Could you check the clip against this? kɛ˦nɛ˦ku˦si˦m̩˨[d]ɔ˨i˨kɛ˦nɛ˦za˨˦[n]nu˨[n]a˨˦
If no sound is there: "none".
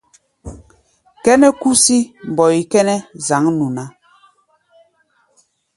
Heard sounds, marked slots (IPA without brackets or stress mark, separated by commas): b, ŋ, n